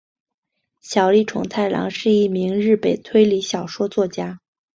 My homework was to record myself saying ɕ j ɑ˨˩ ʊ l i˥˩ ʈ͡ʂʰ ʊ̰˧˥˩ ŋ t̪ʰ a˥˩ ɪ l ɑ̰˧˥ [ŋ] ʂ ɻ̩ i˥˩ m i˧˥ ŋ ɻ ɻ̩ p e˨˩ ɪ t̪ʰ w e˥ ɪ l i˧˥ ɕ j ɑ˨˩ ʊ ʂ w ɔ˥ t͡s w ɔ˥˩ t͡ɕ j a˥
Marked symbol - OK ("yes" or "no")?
yes